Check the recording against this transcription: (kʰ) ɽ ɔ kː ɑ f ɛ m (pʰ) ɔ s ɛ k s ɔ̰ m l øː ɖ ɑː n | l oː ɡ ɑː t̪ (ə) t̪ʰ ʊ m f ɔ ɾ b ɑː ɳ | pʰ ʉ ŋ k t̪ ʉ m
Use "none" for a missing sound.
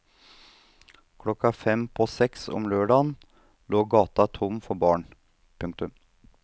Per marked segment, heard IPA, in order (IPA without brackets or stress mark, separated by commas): kʰ, pʰ, ɑ